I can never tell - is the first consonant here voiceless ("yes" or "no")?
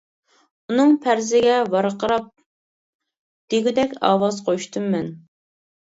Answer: no